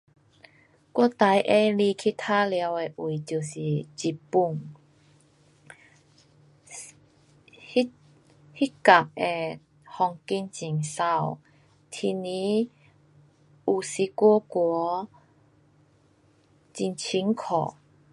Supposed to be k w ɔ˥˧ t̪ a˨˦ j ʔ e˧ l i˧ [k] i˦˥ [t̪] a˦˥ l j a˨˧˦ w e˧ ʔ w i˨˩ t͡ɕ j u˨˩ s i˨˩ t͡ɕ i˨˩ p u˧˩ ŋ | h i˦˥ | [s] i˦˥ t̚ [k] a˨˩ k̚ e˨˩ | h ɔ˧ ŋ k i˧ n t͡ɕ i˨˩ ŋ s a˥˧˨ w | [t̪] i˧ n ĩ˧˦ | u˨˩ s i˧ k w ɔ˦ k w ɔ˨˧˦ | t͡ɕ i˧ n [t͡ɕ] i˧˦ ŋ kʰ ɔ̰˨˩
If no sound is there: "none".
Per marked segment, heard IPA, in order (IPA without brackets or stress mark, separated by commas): kʰ, t̪ʰ, h, k, t̪ʰ, t͡ɕʰ